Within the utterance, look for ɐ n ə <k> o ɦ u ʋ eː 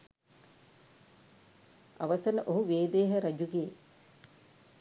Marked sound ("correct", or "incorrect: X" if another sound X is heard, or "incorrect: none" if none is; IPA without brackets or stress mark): incorrect: ʔ